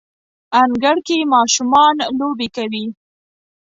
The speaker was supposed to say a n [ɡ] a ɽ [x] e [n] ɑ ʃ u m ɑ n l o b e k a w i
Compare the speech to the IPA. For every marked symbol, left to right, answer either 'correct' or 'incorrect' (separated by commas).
correct, incorrect, incorrect